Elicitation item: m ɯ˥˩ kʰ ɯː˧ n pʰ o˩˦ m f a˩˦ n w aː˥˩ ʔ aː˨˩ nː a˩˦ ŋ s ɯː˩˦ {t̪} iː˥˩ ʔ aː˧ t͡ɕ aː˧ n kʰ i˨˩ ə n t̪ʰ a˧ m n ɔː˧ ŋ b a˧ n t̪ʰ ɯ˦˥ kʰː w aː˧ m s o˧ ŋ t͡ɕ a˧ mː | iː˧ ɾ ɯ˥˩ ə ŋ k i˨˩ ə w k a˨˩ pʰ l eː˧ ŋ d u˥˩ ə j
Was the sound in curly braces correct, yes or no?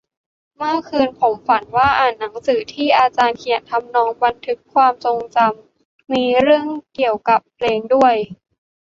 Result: no